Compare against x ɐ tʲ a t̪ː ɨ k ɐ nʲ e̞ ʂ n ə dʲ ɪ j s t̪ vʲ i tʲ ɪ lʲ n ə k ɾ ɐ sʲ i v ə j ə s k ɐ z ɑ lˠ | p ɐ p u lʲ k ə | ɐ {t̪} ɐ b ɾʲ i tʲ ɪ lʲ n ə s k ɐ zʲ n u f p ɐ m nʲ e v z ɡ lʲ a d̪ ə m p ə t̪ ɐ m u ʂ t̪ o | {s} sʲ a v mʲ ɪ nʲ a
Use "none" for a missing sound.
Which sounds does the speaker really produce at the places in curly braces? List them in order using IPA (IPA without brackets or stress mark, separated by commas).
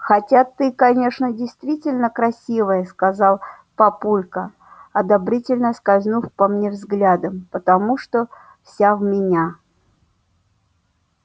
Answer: d̪, f